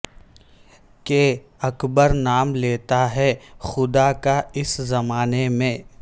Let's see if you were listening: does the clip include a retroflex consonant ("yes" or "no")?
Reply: no